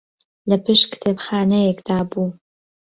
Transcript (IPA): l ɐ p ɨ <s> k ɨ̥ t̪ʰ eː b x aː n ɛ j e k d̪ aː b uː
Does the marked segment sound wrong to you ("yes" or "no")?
yes